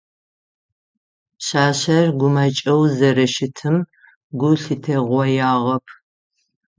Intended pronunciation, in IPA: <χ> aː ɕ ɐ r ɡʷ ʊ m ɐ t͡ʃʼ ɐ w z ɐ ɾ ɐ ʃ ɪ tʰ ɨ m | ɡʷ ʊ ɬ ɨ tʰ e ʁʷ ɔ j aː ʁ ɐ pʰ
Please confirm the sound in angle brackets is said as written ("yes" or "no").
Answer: no